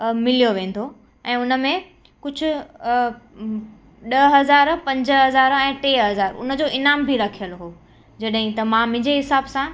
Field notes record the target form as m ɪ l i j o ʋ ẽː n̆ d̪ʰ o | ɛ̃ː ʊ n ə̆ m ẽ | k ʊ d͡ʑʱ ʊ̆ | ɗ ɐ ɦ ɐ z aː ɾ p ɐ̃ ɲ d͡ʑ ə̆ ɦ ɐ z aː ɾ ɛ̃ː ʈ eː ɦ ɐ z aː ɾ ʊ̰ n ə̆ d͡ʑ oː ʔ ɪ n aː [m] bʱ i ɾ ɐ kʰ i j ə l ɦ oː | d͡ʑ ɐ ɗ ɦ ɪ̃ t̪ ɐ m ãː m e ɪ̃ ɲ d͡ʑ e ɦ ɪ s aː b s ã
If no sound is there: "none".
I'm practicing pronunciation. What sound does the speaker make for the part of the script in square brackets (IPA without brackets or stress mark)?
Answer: m